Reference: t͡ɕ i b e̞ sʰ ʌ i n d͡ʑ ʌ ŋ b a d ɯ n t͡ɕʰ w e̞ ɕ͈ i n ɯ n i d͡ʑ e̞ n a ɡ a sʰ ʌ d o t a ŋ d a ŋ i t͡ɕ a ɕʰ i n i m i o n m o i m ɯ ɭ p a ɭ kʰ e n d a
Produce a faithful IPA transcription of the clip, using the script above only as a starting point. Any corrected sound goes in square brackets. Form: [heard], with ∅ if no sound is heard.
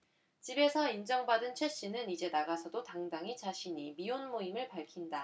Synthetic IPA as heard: t͡ɕ i b e̞ sʰ ʌ i n d͡ʑ ʌ ŋ b a d ɯ n t͡ɕʰ w e̞ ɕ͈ i n ɯ n i d͡ʑ e̞ n a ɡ a sʰ ʌ d o t a ŋ d a ŋ i t͡ɕ a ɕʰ i [ɲ] i m i o n m o i m ɯ ɭ p a ɭ kʰ [i] n d a